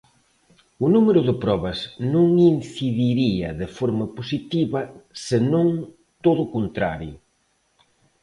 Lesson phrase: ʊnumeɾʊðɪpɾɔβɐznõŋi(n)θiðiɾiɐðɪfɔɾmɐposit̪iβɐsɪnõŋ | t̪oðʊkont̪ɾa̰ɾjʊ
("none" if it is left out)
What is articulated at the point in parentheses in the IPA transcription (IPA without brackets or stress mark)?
n